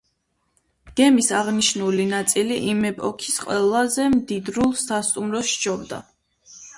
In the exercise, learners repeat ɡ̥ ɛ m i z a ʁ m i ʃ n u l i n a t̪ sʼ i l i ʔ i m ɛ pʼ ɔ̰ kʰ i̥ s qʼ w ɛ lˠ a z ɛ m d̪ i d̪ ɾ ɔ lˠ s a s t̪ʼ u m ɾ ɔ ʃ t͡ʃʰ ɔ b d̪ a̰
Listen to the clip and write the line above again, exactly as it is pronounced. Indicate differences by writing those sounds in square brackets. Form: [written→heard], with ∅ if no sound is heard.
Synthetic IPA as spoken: ɡ̥ ɛ m i [z→s] a ʁ [m→n] i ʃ n u l i n a t̪ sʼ i l i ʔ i m ɛ pʼ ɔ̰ kʰ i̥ s qʼ w ɛ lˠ a z ɛ m d̪ i d̪ ɾ [ɔ→u] lˠ s a s t̪ʼ u m ɾ ɔ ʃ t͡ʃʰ ɔ b d̪ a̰